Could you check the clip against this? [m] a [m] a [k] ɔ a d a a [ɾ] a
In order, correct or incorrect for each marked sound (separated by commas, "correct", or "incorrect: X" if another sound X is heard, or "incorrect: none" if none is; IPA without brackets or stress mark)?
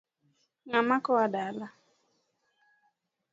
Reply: incorrect: ŋ, correct, correct, incorrect: l